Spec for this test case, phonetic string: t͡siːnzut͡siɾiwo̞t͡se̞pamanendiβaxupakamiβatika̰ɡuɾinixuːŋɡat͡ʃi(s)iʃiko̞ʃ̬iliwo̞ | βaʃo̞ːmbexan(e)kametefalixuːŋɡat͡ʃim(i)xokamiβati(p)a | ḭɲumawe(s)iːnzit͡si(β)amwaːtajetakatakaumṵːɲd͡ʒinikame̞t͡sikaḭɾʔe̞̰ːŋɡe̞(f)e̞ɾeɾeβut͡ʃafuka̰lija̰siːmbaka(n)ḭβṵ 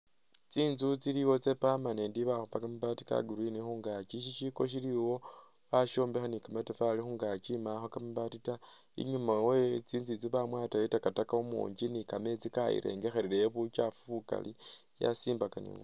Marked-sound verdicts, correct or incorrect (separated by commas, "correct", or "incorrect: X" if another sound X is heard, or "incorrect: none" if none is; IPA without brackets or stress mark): incorrect: ʃ, incorrect: i, incorrect: a, incorrect: t, incorrect: t͡s, correct, incorrect: x, correct